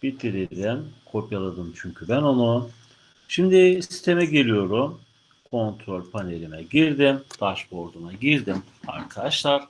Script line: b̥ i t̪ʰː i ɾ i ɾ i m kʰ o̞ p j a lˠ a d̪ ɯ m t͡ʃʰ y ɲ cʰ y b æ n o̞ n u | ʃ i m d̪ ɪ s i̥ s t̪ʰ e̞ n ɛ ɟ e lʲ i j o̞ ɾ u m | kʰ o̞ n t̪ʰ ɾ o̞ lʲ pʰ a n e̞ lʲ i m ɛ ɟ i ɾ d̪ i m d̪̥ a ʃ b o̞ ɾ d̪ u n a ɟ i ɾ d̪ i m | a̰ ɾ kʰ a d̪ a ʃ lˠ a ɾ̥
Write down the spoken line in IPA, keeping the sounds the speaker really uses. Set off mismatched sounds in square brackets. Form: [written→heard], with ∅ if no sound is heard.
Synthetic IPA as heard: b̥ i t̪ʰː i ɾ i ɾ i m kʰ o̞ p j a lˠ a d̪ ɯ m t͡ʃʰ y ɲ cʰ y b æ n o̞ n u | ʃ i m d̪ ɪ s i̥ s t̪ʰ e̞ [n→m] ɛ ɟ e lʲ i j o̞ ɾ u m | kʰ o̞ n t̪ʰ ɾ o̞ lʲ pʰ a n e̞ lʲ i m ɛ ɟ i ɾ d̪ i m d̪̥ a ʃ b o̞ ɾ d̪ u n a ɟ i ɾ d̪ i m | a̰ ɾ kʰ a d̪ a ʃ lˠ a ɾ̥